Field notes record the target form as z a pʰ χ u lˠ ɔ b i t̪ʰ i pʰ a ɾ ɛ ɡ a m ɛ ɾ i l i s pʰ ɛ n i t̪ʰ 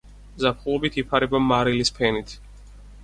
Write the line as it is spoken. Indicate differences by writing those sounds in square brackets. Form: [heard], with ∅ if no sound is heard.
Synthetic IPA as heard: z a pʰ χ u lˠ ɔ b i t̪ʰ i pʰ a ɾ ɛ [b] a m [a] ɾ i l i s pʰ ɛ n i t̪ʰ